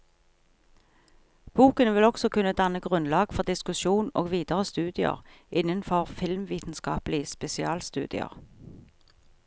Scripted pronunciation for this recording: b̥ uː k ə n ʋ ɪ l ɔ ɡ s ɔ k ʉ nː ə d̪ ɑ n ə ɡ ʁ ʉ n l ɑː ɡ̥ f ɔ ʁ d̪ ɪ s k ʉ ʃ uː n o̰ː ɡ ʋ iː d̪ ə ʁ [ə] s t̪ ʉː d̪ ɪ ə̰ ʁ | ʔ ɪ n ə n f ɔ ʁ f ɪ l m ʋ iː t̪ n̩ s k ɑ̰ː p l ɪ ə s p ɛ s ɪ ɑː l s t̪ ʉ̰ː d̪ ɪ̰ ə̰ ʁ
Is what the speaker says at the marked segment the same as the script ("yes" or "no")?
yes